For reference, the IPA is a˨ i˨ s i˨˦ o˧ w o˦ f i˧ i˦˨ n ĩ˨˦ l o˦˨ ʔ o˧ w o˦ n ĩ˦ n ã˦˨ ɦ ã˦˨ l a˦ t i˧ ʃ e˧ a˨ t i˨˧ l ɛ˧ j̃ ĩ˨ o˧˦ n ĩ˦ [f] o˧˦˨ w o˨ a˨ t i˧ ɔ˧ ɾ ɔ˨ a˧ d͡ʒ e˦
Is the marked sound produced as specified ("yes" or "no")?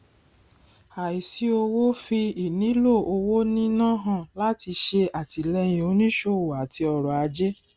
no